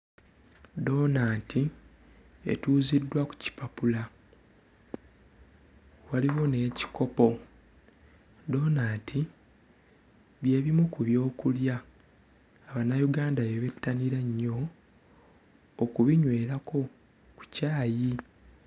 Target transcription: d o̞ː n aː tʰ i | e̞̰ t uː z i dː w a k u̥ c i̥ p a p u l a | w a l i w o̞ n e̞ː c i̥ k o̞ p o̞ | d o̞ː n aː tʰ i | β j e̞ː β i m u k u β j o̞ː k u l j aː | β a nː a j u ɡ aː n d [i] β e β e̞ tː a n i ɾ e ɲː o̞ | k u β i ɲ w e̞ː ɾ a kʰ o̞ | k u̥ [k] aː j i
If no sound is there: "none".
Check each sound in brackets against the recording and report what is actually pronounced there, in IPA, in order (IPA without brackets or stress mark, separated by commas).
a, c